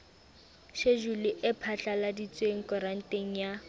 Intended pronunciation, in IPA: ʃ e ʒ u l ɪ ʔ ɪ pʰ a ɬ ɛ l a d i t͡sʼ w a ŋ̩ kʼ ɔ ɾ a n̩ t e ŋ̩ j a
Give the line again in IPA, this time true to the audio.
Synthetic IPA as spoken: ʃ e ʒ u l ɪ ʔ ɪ pʰ a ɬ a l a d i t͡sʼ w e ŋ̩ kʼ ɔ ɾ a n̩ t e ŋ̩ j a